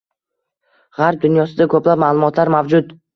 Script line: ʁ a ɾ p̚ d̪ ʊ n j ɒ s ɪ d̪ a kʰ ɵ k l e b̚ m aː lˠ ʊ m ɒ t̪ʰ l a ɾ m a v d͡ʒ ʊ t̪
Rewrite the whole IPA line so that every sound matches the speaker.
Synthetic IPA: ʁ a ɾ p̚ d̪ ʊ n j ɒ s ɪ d̪ a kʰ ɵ p l a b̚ m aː lˠ ʊ m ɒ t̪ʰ l a ɾ m a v d͡ʒ ʊ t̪